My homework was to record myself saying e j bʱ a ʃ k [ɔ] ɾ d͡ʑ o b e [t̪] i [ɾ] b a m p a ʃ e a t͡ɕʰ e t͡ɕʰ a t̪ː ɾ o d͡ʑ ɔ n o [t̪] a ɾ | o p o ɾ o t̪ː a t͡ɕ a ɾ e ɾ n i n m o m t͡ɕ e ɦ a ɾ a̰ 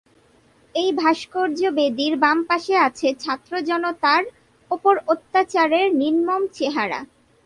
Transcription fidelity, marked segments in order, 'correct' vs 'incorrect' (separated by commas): incorrect, incorrect, correct, correct